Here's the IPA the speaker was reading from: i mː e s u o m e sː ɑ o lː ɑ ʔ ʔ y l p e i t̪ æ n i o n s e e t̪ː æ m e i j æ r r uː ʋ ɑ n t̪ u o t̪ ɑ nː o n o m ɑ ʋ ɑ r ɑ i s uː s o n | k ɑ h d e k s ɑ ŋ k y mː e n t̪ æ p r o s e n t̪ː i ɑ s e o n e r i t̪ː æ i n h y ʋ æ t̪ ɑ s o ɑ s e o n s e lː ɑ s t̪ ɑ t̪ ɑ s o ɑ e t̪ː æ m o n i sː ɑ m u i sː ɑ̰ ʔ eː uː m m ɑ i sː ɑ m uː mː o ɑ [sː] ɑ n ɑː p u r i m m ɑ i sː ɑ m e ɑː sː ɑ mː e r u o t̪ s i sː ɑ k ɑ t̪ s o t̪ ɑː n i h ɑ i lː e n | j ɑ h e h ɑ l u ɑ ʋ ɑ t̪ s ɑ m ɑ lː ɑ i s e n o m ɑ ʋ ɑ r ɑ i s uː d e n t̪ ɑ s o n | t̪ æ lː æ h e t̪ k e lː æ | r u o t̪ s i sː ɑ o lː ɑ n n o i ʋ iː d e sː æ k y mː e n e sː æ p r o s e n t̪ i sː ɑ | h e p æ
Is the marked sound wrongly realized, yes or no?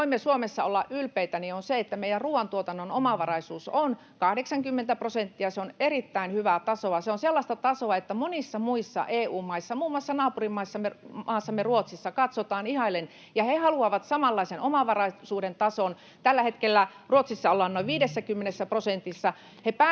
no